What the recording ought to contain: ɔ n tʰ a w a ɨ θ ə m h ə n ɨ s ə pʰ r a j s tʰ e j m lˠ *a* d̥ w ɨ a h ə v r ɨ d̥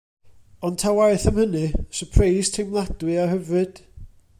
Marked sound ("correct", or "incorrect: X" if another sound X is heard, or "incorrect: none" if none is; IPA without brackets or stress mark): correct